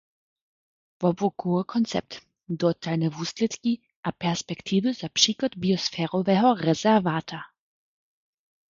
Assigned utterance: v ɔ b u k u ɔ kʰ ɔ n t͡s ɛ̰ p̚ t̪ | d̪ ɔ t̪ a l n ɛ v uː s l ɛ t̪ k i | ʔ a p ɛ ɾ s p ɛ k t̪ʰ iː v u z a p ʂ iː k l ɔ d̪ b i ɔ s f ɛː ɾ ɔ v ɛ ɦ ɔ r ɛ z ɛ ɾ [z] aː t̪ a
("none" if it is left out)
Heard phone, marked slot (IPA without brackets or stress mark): v